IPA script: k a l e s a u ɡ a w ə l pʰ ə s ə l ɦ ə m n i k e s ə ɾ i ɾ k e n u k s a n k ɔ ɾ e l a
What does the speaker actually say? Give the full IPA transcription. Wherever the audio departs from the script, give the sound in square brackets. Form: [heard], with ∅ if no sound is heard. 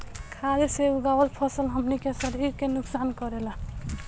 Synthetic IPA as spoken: [kʰ] a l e s [e] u ɡ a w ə l pʰ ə s ə l ɦ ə m n i k e s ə ɾ i ɾ k e n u k s a n k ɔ ɾ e l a